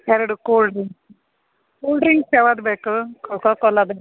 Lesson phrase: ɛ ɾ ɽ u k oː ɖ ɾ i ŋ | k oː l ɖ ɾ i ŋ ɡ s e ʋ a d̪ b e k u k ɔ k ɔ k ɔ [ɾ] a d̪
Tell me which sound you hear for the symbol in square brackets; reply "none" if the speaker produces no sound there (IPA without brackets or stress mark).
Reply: l